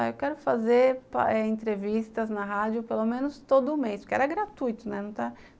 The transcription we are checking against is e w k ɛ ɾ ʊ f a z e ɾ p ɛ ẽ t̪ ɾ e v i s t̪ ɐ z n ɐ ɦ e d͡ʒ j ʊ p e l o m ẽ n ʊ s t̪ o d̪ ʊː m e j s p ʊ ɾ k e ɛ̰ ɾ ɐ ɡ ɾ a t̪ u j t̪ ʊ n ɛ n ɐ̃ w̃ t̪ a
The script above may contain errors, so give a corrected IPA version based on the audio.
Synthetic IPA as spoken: e w k ɛ ɾ ʊ f a z e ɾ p ɛ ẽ t̪ ɾ e v i s t̪ ɐ z n ɐ ɦ a d͡ʒ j ʊ p e l o m ẽ n ʊ s t̪ o d̪ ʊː m e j s p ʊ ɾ k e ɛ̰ ɾ ɐ ɡ ɾ a t̪ u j t̪ ʊ n ɛ n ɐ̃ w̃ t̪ a